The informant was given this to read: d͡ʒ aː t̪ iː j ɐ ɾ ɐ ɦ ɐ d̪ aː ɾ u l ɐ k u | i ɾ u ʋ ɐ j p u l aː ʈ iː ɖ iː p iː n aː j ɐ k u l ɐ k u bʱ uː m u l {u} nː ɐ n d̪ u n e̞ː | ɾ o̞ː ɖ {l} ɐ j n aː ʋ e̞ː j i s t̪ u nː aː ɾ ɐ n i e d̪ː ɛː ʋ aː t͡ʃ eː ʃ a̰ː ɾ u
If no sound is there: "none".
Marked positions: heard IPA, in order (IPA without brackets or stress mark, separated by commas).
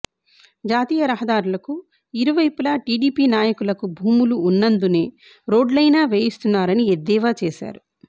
uː, l